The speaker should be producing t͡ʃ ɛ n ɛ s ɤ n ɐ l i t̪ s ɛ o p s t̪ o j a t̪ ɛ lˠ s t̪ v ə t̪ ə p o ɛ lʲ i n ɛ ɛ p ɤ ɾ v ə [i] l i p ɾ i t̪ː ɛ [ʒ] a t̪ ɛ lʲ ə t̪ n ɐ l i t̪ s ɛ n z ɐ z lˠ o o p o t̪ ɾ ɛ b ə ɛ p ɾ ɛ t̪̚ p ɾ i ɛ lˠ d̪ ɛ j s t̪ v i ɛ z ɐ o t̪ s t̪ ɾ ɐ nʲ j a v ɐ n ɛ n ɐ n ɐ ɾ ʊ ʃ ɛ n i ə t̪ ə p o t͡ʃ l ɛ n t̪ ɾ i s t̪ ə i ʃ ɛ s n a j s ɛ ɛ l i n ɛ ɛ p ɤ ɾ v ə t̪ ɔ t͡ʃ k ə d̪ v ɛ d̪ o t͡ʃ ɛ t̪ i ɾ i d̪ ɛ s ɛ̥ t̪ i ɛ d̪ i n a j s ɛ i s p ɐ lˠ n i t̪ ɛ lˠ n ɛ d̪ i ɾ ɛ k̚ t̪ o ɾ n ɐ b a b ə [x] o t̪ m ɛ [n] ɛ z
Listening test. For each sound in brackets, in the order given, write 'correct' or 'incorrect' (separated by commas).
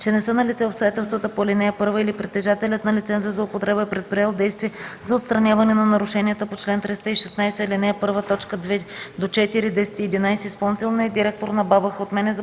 correct, correct, correct, correct